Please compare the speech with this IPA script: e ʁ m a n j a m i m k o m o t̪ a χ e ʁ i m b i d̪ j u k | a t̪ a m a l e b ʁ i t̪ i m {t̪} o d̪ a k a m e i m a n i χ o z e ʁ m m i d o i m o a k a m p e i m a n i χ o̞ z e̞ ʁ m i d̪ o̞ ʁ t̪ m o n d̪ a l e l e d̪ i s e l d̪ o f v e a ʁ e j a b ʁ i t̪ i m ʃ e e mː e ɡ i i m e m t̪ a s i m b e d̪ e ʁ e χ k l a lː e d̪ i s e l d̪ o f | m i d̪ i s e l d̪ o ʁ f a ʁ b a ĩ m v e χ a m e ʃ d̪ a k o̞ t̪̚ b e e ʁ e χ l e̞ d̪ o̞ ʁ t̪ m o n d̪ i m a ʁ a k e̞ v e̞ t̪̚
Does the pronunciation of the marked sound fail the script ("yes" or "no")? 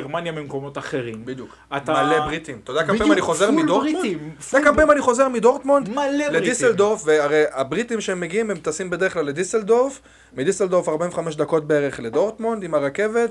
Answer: no